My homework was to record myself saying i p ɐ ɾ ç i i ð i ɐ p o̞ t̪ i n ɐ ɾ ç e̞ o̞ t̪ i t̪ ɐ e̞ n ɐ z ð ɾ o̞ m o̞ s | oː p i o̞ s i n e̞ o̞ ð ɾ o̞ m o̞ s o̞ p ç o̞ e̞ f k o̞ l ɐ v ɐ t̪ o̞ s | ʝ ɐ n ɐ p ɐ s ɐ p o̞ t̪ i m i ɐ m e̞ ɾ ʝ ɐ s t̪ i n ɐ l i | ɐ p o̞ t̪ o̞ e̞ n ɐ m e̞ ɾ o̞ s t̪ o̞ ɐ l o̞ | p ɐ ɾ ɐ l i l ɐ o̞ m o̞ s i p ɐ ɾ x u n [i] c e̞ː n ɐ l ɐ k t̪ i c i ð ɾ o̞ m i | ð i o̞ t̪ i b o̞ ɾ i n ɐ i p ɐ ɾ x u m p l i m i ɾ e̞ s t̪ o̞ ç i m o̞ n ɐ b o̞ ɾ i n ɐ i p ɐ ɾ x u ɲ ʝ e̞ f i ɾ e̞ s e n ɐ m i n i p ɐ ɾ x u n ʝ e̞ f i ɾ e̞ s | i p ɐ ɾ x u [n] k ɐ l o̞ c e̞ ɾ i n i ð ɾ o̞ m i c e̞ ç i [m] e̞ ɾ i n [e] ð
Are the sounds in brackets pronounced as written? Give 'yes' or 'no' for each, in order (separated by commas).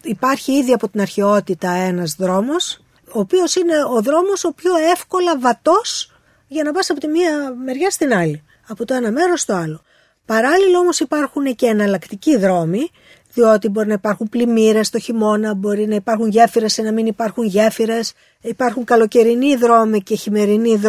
no, no, yes, no